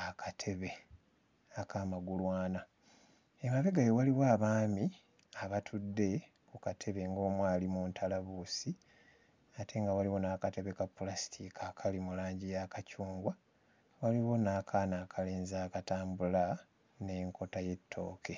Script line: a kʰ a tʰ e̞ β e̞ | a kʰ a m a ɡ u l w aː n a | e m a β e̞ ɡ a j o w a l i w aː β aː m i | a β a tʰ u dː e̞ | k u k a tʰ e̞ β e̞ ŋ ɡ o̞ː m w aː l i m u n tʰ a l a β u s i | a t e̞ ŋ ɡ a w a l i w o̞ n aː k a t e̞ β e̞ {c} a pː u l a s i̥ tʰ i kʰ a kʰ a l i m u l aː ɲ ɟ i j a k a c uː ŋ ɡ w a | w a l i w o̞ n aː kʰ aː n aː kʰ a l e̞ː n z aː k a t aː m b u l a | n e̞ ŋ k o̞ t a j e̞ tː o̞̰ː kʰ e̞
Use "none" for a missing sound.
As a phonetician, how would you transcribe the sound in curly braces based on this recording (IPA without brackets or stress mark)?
k